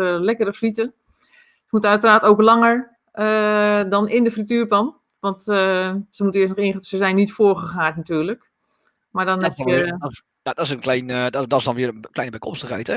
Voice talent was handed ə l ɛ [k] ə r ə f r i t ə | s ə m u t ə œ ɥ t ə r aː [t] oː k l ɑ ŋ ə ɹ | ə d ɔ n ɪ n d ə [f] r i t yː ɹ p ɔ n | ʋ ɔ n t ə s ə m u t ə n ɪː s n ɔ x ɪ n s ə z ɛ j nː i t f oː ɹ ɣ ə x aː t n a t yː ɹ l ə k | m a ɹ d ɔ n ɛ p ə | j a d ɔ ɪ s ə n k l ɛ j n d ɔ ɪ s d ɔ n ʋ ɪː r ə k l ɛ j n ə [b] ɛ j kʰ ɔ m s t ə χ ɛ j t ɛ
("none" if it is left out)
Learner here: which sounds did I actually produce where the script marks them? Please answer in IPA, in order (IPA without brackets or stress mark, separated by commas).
k, t, f, b